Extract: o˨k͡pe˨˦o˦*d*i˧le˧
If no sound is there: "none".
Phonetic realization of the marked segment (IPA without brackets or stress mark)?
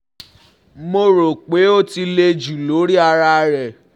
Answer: t